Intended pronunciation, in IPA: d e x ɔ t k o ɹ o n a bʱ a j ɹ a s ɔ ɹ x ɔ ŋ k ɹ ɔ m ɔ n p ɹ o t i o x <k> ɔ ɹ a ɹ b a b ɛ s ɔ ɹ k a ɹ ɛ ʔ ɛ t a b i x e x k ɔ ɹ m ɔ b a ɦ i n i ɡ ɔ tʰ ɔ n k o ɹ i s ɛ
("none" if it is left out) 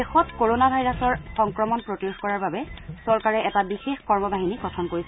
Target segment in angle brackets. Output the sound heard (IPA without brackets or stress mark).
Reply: k